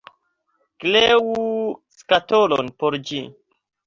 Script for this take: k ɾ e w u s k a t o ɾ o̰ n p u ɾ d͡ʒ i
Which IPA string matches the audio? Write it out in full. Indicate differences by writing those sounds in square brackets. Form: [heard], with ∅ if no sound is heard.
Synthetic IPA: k [l] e w u s k a t o [l] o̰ n p [o] ɾ d͡ʒ i